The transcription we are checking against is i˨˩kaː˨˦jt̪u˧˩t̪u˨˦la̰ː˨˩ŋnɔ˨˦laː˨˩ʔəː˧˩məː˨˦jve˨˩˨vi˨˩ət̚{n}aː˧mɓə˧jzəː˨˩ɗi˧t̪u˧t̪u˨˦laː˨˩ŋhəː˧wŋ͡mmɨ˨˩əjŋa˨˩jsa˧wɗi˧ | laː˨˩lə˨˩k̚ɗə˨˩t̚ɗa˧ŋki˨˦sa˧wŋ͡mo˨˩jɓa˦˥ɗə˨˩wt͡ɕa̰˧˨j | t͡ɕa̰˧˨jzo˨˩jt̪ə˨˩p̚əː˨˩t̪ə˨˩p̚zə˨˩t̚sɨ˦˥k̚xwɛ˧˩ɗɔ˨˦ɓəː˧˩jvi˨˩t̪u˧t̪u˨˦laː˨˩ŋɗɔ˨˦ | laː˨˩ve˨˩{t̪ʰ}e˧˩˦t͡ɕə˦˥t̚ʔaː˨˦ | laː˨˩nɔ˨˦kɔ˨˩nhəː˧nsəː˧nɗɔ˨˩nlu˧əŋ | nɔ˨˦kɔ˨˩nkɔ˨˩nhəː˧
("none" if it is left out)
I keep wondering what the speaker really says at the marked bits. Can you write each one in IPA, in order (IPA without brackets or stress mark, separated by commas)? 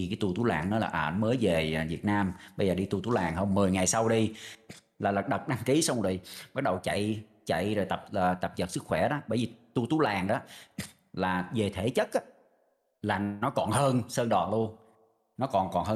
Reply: n, t̪ʰ